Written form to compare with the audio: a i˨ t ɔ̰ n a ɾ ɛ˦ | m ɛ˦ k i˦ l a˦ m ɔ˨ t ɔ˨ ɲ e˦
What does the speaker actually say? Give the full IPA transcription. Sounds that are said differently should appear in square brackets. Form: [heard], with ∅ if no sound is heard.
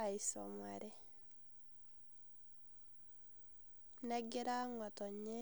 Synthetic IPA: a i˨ [s] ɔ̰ [m] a ɾ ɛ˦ | [n] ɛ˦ [ɡ] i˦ [ɾ] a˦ [ŋ] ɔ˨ t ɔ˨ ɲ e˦